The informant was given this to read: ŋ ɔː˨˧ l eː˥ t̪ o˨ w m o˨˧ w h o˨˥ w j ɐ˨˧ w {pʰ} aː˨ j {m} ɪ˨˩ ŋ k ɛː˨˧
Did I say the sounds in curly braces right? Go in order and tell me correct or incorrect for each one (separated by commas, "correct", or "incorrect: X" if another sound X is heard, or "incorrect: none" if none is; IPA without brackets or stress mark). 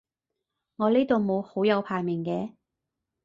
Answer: correct, correct